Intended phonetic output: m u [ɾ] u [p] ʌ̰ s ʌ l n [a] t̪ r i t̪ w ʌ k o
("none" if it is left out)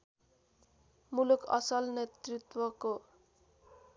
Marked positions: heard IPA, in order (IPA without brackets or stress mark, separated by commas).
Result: l, k, e